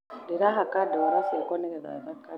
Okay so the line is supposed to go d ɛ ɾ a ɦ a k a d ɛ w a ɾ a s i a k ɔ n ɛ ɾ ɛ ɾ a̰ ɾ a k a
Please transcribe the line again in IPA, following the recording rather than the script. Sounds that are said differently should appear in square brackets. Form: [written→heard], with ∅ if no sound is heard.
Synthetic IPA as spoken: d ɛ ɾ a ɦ a k a d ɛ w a ɾ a s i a k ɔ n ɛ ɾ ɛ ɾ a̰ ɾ a k a